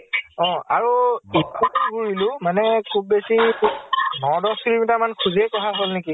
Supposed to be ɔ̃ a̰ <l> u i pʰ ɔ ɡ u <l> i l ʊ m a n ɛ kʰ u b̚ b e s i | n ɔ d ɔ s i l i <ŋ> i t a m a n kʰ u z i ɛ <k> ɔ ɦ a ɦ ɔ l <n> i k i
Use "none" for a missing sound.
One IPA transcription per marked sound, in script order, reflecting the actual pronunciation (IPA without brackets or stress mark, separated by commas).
ɹ, ɹ, m, k, n